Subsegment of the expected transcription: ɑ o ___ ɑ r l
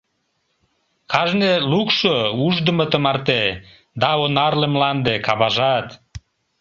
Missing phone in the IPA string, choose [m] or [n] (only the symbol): n